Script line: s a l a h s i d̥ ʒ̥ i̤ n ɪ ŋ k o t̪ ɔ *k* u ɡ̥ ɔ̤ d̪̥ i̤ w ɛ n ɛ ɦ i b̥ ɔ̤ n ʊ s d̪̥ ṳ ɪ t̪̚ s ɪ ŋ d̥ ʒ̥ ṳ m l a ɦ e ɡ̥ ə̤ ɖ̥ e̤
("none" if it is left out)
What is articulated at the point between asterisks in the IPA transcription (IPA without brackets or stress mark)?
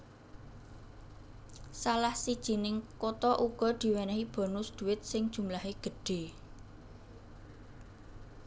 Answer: ʔ